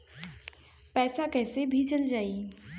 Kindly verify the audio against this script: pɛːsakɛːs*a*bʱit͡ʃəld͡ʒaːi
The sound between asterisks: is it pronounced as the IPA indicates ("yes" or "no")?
no